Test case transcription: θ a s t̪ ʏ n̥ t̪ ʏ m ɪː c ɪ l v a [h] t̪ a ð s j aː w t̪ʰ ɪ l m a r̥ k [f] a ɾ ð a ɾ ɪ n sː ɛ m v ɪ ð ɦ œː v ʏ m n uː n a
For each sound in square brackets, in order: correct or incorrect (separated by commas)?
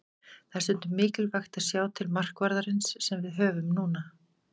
incorrect, incorrect